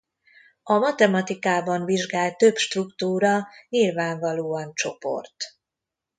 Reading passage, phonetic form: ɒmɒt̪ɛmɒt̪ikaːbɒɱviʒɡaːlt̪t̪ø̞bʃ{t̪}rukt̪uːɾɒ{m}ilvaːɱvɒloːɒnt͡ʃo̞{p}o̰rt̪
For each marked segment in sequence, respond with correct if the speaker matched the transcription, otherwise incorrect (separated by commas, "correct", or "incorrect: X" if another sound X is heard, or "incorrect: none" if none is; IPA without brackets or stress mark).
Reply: correct, incorrect: ɲ, correct